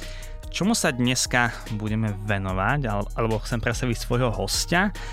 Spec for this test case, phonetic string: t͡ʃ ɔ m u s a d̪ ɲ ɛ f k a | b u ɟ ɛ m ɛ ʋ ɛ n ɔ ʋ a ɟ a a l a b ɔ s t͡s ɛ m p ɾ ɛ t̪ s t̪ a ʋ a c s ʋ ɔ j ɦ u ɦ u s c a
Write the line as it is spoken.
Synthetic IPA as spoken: t͡ʃ ɔ m u s a d̪ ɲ ɛ s k a | b u ɟ ɛ m ɛ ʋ ɛ n ɔ ʋ a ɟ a a l ɛ b ɔ x t͡s ɛ m p ɾ ɛ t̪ s t̪ a ʋ i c s ʋ ɔ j ɦ ɔ ɦ ɔ s c a